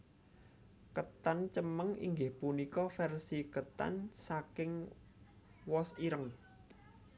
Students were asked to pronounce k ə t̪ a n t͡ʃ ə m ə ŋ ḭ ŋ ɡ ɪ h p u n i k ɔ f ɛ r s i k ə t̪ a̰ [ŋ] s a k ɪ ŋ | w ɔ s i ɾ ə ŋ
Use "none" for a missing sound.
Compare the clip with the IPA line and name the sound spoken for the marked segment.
n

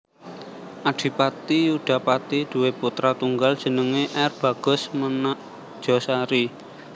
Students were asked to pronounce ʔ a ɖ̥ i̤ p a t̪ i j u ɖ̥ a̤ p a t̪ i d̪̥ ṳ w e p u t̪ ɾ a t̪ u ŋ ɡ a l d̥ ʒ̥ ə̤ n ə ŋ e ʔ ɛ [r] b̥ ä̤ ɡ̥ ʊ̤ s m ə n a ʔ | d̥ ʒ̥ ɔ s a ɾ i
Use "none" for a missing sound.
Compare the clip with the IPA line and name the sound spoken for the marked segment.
r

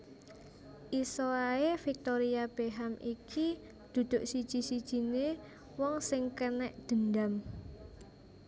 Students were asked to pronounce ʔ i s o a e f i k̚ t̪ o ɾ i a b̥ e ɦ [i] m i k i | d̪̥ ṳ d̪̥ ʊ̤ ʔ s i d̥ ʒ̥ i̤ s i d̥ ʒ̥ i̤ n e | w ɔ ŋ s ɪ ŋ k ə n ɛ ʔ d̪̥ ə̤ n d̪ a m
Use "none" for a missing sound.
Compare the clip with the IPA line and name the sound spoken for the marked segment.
a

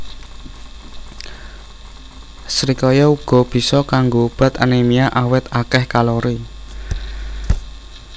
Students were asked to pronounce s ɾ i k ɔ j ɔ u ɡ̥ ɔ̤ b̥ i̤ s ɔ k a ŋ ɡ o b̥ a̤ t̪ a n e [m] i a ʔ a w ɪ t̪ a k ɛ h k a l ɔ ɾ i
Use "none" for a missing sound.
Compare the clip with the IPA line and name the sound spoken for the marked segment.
m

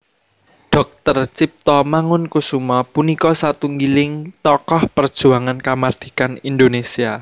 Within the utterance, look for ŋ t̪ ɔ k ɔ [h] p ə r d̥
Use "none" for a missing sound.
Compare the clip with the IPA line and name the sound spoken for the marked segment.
h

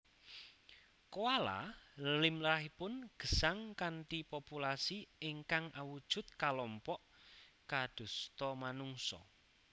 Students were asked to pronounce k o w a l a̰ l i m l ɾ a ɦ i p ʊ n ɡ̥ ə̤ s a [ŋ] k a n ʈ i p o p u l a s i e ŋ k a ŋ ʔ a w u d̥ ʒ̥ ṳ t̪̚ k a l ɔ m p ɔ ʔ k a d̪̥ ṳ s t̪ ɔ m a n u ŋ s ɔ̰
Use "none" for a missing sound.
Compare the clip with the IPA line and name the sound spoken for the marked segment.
ŋ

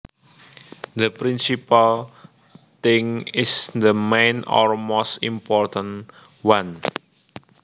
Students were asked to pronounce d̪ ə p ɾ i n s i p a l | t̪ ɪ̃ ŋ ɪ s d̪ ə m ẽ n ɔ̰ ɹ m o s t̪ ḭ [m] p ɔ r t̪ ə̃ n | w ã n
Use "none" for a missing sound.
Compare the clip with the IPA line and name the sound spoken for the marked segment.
m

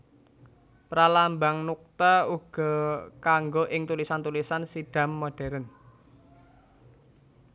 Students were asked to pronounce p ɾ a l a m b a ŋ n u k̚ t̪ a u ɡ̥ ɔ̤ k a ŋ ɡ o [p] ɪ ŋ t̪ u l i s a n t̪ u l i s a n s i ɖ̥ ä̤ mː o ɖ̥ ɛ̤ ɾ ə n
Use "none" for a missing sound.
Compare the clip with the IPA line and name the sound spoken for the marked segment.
ʔ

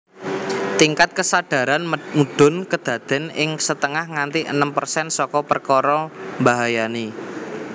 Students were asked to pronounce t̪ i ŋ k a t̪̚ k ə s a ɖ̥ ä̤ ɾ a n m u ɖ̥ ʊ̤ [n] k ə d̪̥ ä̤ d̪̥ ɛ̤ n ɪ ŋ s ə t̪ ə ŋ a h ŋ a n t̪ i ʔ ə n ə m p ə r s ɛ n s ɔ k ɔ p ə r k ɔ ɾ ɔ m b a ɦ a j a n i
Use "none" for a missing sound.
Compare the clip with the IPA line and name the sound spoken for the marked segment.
n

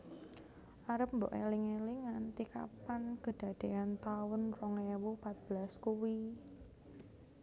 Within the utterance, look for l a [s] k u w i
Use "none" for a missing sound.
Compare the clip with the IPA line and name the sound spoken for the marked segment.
s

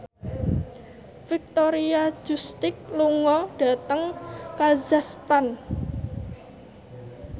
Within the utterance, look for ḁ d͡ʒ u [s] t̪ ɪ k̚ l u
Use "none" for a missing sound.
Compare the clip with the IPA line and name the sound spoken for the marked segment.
s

